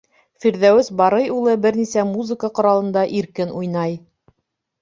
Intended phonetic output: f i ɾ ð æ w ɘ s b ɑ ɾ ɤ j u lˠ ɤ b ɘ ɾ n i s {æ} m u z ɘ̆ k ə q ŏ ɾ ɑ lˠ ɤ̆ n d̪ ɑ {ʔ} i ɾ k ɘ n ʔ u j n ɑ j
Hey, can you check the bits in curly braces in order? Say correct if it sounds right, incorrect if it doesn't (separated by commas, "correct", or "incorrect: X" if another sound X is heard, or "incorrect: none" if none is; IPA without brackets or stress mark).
correct, correct